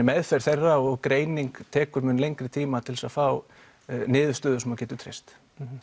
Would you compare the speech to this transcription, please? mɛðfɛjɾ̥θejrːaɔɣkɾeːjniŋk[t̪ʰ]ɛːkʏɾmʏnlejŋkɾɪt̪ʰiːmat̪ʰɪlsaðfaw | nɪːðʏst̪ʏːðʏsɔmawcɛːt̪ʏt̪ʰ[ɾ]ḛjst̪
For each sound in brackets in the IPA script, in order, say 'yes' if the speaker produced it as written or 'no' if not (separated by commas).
yes, yes